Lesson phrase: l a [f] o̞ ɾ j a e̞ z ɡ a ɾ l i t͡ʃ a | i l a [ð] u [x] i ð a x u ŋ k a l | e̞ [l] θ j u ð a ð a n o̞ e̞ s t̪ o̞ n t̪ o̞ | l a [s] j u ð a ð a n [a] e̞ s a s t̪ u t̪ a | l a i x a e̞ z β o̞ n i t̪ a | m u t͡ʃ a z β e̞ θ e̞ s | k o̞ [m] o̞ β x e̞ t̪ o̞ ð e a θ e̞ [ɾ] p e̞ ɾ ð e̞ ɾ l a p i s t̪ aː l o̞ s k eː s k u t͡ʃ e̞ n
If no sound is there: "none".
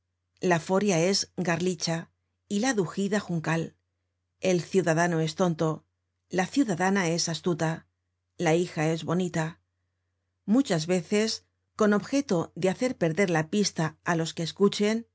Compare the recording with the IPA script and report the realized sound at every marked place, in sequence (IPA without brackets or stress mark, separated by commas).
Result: f, ð, x, l, θ, a, n, ɾ